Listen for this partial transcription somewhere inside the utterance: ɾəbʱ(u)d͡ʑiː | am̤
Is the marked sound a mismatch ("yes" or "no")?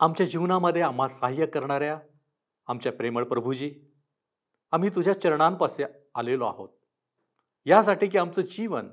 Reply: no